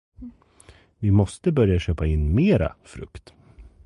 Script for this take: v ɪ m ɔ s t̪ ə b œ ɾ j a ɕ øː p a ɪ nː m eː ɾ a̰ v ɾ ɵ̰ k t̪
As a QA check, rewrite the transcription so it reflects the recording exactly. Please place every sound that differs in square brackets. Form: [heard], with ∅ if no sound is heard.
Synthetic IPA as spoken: v ɪ m ɔ s t̪ ə b œ ɾ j a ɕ øː p a ɪ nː m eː ɾ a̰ [f] ɾ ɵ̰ k t̪

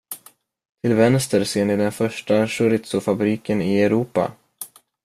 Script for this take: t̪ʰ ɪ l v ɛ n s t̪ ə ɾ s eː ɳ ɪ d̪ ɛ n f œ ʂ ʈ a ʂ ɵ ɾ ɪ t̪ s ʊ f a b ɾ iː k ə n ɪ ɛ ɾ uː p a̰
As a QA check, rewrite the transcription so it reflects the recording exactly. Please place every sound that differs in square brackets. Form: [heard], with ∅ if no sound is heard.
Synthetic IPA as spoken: t̪ʰ ɪ l v ɛ n s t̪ ə ɾ s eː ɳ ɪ d̪ ɛ n f œ ʂ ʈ a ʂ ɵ ɾ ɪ t̪ s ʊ f a b ɾ iː k ə n ɪ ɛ ɾ uː p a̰

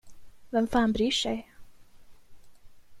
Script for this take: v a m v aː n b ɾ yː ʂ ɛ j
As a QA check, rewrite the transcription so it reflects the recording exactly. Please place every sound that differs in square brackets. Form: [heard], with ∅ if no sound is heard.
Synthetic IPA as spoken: v [ɛ] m [f] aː n b ɾ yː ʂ ɛ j

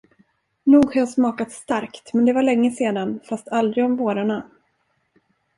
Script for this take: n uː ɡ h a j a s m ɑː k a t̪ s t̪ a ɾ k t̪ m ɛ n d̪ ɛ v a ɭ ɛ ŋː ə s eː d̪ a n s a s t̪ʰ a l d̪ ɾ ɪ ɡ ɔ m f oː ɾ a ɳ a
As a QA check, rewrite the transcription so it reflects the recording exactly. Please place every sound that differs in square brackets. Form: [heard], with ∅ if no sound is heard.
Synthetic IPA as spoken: n uː ɡ h a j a s m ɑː k a t̪ s t̪ a ɾ k t̪ m ɛ n d̪ ɛ v a ɭ ɛ ŋː ə s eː d̪ a n [f] a s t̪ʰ a l d̪ ɾ ɪ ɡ ɔ m [v] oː ɾ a ɳ a

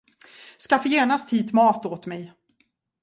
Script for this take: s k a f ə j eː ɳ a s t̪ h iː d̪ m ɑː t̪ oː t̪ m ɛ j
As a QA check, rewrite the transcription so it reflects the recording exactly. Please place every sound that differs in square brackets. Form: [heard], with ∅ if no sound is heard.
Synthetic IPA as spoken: s k a f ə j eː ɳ a s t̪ h iː [t̪] m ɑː t̪ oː t̪ m ɛ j

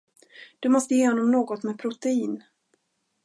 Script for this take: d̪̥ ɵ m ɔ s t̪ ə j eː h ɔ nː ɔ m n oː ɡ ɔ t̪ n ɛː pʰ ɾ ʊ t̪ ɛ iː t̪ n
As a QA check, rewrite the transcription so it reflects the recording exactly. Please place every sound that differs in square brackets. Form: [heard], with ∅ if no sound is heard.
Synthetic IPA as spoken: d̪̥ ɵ m ɔ s t̪ ə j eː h ɔ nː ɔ m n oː ɡ ɔ t̪ [m] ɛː pʰ ɾ ʊ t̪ ɛ iː [∅] n

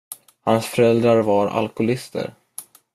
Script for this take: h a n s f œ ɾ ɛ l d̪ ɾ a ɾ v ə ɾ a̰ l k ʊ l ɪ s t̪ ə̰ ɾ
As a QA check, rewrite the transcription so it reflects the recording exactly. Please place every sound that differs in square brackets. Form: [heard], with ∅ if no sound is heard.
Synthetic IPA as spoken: h a n s f œ ɾ ɛ l d̪ ɾ a ɾ v [a] ɾ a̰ l k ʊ l ɪ s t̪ ə̰ ɾ

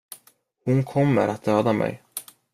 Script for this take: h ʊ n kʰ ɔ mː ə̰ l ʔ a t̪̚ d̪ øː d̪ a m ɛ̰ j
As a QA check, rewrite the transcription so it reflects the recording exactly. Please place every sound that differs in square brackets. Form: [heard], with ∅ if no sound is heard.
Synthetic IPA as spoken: h ʊ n kʰ ɔ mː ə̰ [ɾ] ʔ a t̪̚ d̪ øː d̪ a m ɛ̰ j

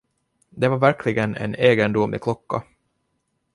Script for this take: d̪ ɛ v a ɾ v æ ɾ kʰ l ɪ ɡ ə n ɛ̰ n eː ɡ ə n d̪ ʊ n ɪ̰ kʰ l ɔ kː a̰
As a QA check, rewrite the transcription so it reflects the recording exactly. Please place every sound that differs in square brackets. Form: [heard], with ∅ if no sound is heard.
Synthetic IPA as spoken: d̪ ɛ v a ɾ v æ ɾ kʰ l ɪ ɡ ə n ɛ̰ n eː ɡ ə n d̪ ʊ [m] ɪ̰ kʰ l ɔ kː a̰

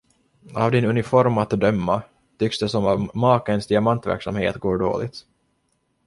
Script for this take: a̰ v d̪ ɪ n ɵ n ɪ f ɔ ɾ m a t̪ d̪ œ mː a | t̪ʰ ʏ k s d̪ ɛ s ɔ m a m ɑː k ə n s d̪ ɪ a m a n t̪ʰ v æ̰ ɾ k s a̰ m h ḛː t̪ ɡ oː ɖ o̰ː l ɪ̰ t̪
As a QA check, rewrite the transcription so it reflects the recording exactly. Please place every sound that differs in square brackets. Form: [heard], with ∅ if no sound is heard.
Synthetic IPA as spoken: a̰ v d̪ ɪ n ɵ n ɪ f ɔ ɾ m a t̪ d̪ œ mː a | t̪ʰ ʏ k s d̪ ɛ s ɔ m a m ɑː k ə n s d̪ ɪ a m a n [t̪] v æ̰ ɾ k s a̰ m h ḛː t̪ ɡ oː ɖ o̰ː l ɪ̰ t̪

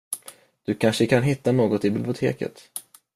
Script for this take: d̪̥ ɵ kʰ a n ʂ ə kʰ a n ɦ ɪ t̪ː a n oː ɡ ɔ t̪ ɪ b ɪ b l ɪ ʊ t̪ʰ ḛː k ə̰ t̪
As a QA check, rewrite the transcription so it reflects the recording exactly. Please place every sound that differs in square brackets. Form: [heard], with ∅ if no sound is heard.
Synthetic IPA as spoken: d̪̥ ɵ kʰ a n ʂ ə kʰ a n ɦ ɪ t̪ː a n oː ɡ ɔ t̪ ɪ b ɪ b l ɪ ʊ t̪ʰ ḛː k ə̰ t̪

